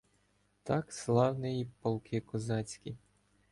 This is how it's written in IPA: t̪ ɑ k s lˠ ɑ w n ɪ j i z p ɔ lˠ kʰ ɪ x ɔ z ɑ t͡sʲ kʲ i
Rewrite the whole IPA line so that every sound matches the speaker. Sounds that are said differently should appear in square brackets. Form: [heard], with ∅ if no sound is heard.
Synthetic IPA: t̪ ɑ k s lˠ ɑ w n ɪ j i [∅] p ɔ lˠ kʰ ɪ [k] ɔ z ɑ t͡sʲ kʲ i